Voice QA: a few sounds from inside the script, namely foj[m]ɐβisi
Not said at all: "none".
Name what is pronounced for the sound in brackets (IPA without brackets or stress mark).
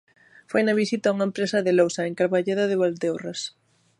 n